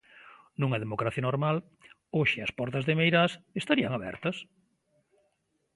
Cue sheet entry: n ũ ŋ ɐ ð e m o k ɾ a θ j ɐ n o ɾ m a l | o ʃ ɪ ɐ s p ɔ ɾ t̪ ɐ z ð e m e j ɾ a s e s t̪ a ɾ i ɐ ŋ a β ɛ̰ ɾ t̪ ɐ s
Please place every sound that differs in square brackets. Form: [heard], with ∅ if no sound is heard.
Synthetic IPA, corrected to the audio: n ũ ŋ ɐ ð e m o k ɾ a θ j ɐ n o ɾ m a l | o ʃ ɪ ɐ s p ɔ ɾ t̪ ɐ z ð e m e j ɾ a s e s t̪ a ɾ i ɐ ŋ a β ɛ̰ ɾ t̪ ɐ s